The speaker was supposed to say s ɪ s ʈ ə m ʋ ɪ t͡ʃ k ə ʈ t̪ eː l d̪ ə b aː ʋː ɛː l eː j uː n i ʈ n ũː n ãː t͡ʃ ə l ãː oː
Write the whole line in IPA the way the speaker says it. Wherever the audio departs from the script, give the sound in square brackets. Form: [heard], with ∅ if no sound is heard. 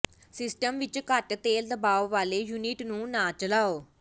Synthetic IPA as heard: s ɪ s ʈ ə m ʋ ɪ t͡ʃ k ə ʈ t̪ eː l d̪ ə b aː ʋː [aː] l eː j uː n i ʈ n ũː n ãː t͡ʃ ə l [aː] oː